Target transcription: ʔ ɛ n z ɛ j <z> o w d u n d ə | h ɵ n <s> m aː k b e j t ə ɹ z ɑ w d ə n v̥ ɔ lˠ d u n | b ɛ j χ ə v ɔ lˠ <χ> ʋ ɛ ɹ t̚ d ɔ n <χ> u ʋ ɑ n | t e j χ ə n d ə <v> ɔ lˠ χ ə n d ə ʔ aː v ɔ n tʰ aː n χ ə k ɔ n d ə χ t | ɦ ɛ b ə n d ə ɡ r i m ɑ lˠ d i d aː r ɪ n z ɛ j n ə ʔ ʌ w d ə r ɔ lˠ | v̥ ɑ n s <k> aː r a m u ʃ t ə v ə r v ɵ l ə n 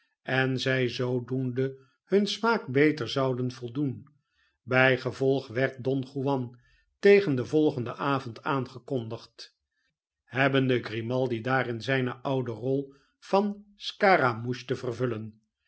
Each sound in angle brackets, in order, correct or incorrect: correct, correct, correct, correct, correct, correct

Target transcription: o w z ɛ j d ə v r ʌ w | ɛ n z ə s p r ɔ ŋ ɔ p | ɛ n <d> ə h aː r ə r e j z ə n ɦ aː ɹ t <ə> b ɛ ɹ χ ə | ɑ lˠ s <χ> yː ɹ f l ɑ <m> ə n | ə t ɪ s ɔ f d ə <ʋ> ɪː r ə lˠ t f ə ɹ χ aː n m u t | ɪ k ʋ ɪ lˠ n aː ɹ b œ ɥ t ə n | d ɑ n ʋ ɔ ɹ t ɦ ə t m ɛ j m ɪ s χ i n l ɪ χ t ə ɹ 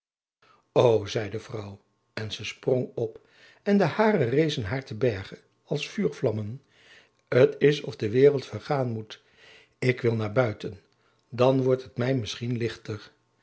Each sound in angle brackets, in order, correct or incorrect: correct, correct, incorrect: f, correct, correct

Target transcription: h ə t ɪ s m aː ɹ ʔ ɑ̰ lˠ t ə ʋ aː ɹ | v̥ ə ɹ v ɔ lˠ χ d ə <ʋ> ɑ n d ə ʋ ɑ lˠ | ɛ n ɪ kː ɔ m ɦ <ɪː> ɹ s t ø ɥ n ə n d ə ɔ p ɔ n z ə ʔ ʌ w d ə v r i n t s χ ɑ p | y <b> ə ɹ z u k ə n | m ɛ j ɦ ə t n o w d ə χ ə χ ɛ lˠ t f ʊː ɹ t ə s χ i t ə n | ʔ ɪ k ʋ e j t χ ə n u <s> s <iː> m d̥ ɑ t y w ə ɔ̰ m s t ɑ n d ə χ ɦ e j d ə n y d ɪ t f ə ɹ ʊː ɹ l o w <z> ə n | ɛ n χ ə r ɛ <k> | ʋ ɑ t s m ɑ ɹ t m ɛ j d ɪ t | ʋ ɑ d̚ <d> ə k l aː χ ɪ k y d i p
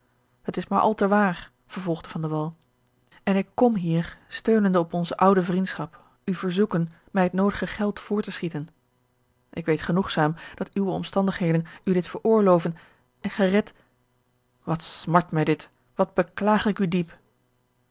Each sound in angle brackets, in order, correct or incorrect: incorrect: v, incorrect: iː, incorrect: v, incorrect: χ, incorrect: aː, incorrect: v, incorrect: t, incorrect: b

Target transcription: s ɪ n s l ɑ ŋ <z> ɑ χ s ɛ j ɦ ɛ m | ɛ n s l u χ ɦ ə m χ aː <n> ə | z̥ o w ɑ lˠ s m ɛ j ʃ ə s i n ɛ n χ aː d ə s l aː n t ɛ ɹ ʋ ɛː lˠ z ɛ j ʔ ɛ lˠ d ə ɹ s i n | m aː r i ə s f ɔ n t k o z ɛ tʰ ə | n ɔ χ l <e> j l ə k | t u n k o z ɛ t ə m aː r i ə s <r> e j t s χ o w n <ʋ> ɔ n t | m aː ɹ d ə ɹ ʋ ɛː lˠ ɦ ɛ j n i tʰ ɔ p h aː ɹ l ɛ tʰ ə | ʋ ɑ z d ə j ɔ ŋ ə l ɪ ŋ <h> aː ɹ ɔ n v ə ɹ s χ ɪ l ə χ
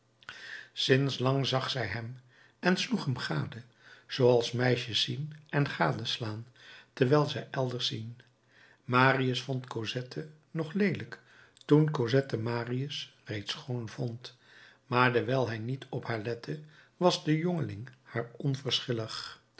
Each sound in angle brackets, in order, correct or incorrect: correct, incorrect: d, correct, correct, incorrect: v, correct

